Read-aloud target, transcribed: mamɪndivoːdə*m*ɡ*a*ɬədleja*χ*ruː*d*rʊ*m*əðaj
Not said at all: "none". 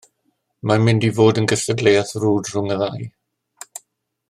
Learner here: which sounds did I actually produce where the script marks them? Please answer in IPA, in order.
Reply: n, ə, θ, d, ŋ

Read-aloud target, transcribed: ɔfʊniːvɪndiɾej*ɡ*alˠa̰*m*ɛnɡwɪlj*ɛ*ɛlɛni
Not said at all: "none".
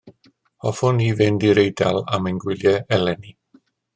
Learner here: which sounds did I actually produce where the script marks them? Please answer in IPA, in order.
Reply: d, m, ɛ

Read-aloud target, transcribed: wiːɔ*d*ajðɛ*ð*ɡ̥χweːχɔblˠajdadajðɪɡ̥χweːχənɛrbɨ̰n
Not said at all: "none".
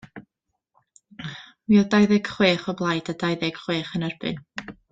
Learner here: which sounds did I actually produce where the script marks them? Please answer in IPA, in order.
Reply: d, none

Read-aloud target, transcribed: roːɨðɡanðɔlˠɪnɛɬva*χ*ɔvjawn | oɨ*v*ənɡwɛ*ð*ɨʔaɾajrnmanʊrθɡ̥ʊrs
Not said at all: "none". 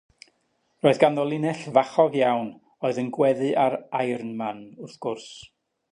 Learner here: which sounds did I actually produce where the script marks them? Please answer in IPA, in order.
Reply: χ, ð, ð

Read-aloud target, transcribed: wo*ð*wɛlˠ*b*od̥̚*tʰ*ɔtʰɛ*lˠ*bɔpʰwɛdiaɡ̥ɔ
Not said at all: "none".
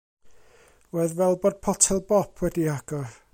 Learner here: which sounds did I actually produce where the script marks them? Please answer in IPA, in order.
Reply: ð, b, pʰ, lˠ

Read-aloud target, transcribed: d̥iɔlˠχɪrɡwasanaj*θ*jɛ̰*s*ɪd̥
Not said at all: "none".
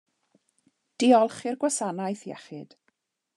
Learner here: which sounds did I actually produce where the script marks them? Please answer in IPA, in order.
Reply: θ, χ

